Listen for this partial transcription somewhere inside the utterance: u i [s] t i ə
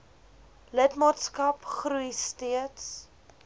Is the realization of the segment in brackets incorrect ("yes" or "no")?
no